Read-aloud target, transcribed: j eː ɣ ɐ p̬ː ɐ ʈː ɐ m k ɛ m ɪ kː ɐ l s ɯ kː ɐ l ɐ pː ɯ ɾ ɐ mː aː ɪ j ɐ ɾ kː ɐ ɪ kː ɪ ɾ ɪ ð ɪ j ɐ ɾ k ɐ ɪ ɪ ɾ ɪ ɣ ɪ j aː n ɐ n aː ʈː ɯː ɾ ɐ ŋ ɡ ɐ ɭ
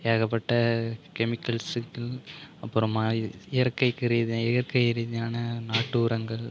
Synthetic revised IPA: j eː ɣ ɐ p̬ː ɐ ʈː ɐ k ɛ m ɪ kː ɐ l s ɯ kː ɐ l ɐ pː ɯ ɾ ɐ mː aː ɪ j ɐ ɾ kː ɐ ɪ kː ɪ ɾ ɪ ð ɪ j ɐ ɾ k ɐ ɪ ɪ ɾ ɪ ð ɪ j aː n ɐ n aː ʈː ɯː ɾ ɐ ŋ ɡ ɐ ɭ